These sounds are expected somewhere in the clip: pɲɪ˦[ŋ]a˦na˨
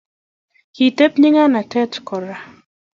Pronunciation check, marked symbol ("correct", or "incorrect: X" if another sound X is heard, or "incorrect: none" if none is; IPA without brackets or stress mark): correct